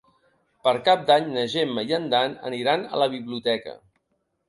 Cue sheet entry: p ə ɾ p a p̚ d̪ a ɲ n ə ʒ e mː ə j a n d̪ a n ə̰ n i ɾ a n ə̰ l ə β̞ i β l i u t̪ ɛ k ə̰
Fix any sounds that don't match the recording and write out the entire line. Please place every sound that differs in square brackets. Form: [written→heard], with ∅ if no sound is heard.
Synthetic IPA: p ə ɾ [p→k] a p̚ d̪ a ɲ n ə ʒ e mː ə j [a→ə] n d̪ a n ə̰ n i ɾ a n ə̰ l ə β̞ i β l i u t̪ ɛ k ə̰